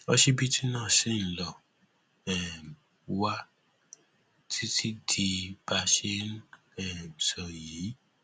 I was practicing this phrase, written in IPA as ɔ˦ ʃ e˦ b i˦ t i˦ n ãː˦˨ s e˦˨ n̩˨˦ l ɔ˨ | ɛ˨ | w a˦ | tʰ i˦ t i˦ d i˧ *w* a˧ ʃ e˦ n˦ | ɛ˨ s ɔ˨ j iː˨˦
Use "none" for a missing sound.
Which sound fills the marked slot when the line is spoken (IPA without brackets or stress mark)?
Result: b